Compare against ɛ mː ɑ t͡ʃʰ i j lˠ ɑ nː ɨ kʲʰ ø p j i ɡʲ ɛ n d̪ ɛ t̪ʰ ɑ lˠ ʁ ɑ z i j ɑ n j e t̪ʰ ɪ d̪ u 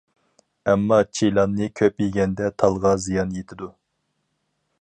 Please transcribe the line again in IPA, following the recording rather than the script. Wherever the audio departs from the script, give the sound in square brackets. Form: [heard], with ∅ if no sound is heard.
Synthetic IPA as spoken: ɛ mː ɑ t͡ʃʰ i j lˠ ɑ nː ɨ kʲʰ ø p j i ɡʲ ɛ n d̪ ɛ t̪ʰ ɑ lˠ ʁ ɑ z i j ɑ n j e t̪ʰ ɪ d̪ u